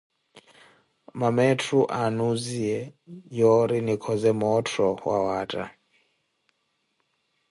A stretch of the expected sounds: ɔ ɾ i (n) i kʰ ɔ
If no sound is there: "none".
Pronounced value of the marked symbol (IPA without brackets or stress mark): n